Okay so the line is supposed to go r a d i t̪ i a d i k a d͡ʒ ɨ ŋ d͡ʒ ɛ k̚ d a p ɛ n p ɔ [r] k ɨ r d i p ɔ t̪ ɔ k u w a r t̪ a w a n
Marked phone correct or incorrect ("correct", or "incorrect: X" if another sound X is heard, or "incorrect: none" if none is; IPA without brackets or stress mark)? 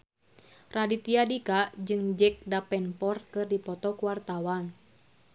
correct